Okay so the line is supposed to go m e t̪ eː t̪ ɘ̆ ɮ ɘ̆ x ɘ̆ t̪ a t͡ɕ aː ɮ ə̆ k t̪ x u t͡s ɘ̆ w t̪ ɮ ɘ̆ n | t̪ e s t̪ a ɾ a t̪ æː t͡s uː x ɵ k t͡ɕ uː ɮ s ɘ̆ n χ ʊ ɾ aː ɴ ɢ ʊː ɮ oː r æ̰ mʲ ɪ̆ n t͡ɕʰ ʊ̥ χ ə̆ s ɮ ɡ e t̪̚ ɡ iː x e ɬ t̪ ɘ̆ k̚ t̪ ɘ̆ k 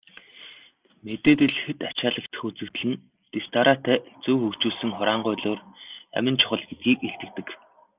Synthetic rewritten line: m e t̪ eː t̪ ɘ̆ ɮ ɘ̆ x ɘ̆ t̪ a t͡ɕ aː ɮ ə̆ k t̪ x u t͡s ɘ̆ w t̪ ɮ ɘ̆ n | t̪ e s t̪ a ɾ a t̪ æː t͡s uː x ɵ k t͡ɕ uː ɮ s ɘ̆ ŋ χ ʊ ɾ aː ɴ ɢ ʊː ɮ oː r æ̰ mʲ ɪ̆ n t͡ɕʰ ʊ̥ χ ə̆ ɮ ɡ e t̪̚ ɡ iː k e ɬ t̪ ɘ̆ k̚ t̪ ɘ̆ k